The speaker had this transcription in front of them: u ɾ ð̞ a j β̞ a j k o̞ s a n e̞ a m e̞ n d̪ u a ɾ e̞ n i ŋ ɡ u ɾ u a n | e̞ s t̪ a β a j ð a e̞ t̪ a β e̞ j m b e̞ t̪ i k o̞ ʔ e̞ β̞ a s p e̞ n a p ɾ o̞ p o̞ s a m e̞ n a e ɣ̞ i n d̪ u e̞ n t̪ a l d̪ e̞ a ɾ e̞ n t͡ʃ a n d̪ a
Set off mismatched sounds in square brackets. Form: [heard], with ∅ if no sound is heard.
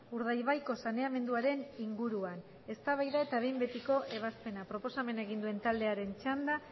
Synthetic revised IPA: u ɾ ð̞ a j β̞ a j k o̞ s a n e̞ a m e̞ n d̪ u a ɾ e̞ n i ŋ ɡ u ɾ u a n | e̞ s t̪ a β a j ð a e̞ t̪ a β e̞ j m b e̞ t̪ i k o̞ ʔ e̞ β̞ a s p e̞ n a p ɾ o̞ p o̞ s a m e̞ n a e ɣ̞ i n d̪ u e̞ n t̪ a l d̪ e̞ a ɾ e̞ n t͡ʃ a n d̪ a